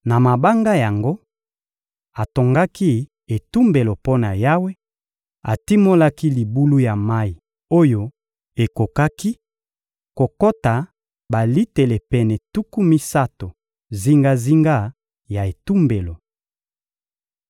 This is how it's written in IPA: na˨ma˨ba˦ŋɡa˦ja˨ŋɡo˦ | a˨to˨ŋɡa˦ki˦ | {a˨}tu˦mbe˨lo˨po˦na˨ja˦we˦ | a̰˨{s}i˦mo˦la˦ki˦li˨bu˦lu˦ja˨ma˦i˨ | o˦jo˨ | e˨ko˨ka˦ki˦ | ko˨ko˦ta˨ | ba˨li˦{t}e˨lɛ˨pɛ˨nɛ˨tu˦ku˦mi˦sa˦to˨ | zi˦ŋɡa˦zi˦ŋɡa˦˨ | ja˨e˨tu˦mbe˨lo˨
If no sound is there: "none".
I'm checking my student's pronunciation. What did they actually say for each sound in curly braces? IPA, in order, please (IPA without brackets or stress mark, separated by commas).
e˨, t, t